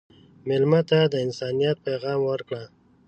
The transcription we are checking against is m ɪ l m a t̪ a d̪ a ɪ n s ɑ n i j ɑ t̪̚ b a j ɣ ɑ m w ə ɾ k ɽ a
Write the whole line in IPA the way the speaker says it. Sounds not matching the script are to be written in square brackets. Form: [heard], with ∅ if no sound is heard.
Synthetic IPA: m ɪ l m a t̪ a d̪ [ə] ɪ n s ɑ n i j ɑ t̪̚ [p] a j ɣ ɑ m w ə ɾ k ɽ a